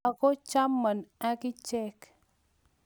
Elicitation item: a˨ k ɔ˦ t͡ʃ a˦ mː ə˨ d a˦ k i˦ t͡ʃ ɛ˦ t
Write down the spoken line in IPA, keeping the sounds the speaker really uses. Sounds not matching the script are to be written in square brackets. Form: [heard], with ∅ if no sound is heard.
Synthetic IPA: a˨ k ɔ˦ t͡ʃ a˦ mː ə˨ [n] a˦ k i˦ t͡ʃ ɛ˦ [k]